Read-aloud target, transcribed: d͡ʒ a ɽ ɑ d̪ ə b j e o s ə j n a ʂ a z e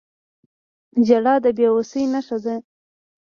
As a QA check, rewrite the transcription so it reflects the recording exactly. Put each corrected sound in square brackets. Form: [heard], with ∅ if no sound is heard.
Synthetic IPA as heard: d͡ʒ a ɽ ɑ d̪ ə b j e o s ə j n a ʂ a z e